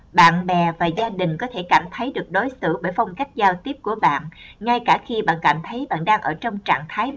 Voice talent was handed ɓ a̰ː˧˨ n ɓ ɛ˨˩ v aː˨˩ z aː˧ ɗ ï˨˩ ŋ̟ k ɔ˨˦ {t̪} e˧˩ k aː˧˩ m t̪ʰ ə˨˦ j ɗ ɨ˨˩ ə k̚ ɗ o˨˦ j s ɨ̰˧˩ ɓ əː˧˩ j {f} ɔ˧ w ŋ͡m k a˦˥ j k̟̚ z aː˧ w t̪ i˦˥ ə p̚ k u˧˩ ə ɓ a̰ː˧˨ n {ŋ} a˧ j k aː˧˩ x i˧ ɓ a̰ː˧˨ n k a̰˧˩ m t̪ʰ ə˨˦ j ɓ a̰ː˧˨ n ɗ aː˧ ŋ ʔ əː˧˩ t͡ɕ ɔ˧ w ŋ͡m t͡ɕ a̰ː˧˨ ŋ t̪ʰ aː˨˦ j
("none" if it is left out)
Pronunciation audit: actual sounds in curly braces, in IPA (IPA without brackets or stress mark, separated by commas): t̪ʰ, f, ŋ